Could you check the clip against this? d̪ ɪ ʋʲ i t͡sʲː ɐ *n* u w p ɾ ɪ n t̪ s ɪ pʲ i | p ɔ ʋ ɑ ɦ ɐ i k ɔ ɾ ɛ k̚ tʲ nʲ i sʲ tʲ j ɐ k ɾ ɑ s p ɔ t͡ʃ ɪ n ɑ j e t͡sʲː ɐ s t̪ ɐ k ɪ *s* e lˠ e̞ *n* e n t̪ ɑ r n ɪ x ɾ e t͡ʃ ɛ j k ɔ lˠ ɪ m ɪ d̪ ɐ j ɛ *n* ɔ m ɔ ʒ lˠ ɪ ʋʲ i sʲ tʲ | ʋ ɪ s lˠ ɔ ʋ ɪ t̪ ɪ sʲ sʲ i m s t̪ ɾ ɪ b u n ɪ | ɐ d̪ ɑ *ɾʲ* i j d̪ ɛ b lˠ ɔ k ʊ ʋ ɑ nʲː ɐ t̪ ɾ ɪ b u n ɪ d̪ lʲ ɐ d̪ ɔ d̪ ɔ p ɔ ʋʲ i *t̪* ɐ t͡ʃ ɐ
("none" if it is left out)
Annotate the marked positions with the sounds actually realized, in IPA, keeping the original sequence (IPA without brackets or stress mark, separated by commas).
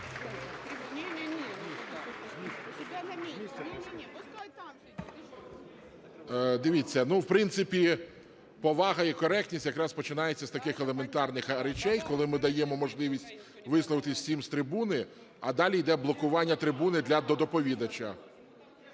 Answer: n, x, m, m, lʲ, d̪